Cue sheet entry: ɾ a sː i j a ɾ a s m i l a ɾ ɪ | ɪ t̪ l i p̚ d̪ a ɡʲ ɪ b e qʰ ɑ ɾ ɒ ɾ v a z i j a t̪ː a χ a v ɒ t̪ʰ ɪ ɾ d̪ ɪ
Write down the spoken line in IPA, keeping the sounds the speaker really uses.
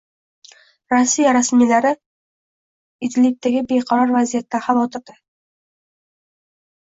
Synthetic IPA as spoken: ɾ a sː i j a ɾ a s m i l a ɾ ɪ | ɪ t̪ l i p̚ t̪ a ɡʲ ɪ b e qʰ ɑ ɾ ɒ ɾ v a z i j a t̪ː a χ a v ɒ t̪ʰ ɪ ɾ d̪ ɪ